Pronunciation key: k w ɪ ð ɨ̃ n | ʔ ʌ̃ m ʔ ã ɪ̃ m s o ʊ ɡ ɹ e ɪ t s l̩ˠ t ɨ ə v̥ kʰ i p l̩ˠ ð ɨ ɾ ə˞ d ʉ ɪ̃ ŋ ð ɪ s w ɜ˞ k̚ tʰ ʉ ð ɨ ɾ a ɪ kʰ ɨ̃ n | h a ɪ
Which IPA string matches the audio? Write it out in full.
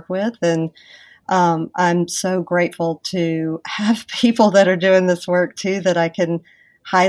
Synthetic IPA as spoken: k w ɪ ð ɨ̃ n | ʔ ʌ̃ m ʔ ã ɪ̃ m s o ʊ ɡ ɹ e ɪ t f l̩ˠ tʰ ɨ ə v̥ pʰ i p l̩ˠ ð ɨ ɾ ə˞ d ʉ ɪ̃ ŋ ð ɪ s w ɜ˞ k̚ tʰ ʉ ð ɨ ɾ a ɪ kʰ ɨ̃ n | h a ɪ